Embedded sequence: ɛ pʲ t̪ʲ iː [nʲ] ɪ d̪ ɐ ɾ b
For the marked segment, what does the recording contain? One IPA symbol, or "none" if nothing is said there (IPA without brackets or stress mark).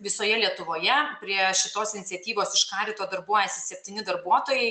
nʲ